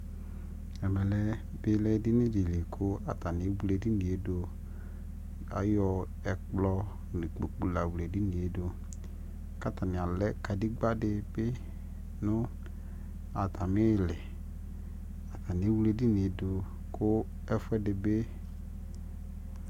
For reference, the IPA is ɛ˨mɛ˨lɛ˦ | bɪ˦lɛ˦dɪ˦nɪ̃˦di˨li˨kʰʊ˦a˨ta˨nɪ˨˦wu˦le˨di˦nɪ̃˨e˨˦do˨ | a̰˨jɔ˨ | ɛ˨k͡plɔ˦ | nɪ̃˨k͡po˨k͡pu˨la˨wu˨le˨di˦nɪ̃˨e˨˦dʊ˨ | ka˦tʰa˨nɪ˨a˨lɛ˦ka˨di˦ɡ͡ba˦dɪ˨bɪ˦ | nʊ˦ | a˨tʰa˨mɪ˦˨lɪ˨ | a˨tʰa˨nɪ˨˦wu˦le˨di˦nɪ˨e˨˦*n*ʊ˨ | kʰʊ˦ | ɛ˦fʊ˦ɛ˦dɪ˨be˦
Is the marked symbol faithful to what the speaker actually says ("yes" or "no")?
no